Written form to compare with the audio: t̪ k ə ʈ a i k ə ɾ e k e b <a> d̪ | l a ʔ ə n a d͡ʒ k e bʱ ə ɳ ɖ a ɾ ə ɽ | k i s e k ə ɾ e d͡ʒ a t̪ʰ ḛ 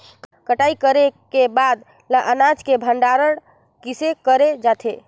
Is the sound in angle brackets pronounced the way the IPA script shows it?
yes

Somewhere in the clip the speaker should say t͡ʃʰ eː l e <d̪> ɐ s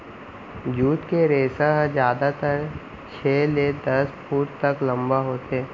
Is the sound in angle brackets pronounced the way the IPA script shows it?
yes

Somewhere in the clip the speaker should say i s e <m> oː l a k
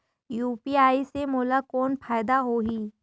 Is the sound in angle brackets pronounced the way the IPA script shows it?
yes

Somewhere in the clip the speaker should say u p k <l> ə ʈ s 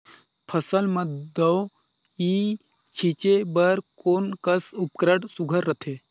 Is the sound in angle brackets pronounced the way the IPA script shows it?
no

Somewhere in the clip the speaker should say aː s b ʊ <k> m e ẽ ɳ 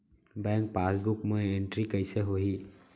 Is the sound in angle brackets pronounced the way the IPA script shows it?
yes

